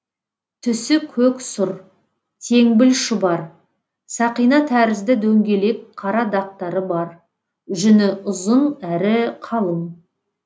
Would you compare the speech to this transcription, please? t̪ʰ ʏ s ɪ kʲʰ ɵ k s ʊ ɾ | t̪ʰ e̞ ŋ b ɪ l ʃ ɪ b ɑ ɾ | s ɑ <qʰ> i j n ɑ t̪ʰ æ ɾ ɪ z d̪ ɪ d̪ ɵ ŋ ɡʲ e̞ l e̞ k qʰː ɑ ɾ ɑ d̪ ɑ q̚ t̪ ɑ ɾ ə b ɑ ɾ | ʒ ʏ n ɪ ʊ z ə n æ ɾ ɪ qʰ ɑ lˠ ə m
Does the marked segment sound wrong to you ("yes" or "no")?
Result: yes